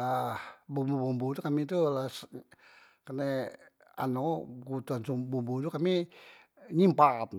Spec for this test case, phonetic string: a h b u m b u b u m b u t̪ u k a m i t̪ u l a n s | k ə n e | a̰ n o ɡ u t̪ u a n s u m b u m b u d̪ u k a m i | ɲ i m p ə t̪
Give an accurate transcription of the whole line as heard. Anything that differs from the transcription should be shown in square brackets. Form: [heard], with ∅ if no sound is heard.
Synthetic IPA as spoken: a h b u m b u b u m b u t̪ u k a m i t̪ u l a [∅] s | k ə n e | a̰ n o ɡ u t̪ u a n s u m b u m b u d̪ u k a m i | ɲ i m p [a] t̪